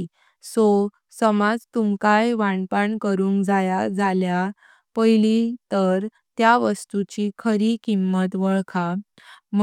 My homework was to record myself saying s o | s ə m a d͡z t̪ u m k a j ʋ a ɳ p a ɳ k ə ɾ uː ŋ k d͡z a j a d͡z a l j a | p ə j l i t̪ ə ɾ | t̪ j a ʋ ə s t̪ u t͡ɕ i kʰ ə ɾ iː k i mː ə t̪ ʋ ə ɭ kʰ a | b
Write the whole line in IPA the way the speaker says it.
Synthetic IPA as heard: s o | s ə m a d͡z t̪ u m k a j ʋ a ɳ p a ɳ k ə ɾ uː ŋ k d͡z a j a d͡z a l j a | p ə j l i t̪ ə ɾ | t̪ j a ʋ ə s t̪ u t͡ɕ i kʰ ə ɾ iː k i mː ə t̪ ʋ ə ɭ kʰ a | m

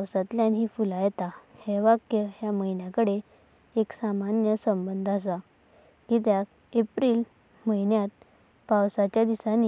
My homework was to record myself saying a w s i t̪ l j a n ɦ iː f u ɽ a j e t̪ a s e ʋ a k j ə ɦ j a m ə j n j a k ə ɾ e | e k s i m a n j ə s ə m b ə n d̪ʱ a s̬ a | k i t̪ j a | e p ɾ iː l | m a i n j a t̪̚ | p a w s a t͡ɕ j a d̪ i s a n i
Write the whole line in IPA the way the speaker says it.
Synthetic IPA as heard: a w s a t̪ l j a n ɦ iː f u l a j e t̪ a h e ʋ a k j ə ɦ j a m ə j n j a k ə ɽ e | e k s a m a n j ə s ə m b ə n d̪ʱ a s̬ a | k i t̪ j a | e p ɾ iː l | m ə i n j a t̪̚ | p a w s a t͡ɕ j a d̪ i s a n i

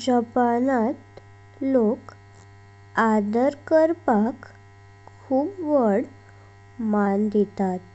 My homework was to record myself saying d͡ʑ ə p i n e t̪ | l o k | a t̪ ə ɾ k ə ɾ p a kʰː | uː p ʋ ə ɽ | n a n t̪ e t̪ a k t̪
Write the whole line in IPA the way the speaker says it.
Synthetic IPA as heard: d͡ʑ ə p a n a t̪ | l o k | a d̪ ə ɾ k ə ɾ p a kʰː | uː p ʋ ə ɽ | m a n d̪ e t̪ a t̪

